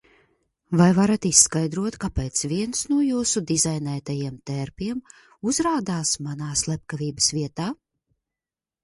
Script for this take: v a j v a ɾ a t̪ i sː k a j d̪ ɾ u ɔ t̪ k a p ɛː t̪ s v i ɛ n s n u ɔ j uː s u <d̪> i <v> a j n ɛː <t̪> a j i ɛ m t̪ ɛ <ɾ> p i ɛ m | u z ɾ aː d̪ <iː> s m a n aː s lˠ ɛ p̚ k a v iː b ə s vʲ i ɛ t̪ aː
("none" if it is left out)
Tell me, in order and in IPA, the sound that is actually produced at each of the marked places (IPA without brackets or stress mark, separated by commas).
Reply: d̪, z, t̪, ɾ, aː